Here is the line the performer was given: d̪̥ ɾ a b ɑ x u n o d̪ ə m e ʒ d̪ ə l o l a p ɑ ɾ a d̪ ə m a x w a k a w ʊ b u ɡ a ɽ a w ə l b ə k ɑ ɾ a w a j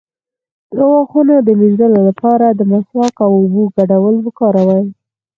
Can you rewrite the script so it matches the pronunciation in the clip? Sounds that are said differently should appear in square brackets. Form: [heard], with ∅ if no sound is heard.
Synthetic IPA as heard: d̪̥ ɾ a [w] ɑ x u n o d̪ ə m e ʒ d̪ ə l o l a p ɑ ɾ a d̪ ə m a [s] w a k a w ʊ b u ɡ a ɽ a w ə l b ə k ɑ ɾ a w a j